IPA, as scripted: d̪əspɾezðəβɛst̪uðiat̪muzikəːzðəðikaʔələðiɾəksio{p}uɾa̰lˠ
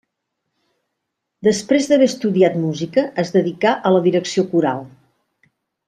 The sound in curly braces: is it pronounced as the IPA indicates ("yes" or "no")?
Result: no